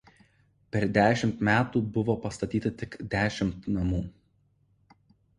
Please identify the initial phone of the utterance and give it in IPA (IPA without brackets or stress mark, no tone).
pʲ